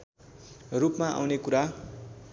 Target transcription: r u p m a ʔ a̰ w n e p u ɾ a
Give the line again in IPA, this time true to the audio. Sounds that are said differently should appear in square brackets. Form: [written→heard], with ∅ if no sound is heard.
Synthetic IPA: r u p m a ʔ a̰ w n e [p→k] u ɾ a